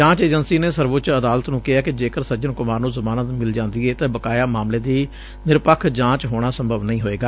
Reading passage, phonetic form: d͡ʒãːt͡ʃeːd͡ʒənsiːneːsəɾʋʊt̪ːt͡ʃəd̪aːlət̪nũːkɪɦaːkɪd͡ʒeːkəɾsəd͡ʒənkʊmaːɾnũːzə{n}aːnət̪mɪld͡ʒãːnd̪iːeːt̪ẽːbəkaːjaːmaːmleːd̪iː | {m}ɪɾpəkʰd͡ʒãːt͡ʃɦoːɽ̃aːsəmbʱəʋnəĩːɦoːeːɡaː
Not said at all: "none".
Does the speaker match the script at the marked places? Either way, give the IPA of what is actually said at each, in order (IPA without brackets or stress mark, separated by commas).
m, n